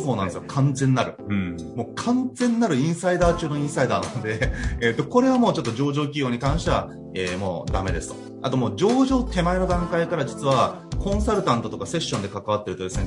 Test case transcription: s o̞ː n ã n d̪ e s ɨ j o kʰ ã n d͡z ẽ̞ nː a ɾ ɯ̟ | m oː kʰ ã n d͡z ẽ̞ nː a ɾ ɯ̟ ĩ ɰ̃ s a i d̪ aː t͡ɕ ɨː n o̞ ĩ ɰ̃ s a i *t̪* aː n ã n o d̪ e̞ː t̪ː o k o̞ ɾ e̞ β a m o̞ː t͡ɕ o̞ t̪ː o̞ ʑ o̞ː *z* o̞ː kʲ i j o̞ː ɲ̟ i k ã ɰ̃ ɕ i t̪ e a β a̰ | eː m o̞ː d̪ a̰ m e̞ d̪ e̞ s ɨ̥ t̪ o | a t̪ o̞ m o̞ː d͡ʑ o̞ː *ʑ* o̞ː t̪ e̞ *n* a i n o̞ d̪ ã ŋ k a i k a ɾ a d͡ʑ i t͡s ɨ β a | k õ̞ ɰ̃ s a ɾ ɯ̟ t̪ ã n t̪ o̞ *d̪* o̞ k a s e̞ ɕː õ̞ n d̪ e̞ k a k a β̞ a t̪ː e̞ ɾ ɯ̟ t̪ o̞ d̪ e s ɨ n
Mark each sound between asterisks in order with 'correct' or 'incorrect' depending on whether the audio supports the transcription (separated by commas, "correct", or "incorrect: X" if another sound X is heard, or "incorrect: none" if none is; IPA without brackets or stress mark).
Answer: incorrect: d̪, incorrect: ʑ, correct, incorrect: m, incorrect: t̪